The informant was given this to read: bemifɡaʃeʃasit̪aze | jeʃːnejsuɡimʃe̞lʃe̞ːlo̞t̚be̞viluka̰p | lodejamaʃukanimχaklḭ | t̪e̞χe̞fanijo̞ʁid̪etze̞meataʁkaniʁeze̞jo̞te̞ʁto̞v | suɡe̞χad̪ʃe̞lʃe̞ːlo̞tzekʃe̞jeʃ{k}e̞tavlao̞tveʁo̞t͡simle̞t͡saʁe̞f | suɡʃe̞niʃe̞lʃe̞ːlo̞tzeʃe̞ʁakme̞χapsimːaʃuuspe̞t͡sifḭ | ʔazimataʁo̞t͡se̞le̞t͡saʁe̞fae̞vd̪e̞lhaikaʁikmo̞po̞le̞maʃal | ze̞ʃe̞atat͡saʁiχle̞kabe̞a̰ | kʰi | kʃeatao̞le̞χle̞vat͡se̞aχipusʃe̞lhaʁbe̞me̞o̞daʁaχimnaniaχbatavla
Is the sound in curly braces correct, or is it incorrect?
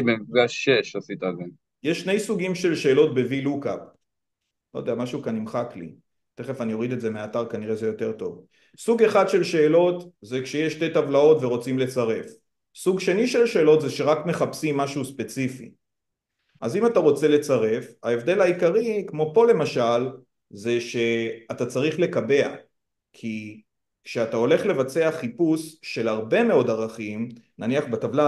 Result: incorrect